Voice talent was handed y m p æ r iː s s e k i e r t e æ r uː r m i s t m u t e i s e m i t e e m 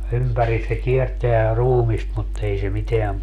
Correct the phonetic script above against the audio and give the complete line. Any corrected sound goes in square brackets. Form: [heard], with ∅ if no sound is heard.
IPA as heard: y m p æ r [i] s s e k i e r t e æ r uː [∅] m i s t m u t e i s e m i t e [æ] m